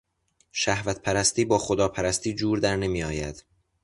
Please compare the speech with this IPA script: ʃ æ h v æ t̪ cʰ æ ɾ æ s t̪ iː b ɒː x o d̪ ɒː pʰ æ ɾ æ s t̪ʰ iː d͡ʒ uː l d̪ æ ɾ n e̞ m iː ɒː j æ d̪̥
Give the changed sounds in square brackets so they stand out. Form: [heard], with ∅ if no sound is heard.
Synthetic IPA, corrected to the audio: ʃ æ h v æ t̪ [pʰ] æ ɾ æ s t̪ iː b ɒː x o d̪ ɒː pʰ æ ɾ æ s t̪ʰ iː d͡ʒ uː [ɾ] d̪ æ ɾ n e̞ m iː ɒː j æ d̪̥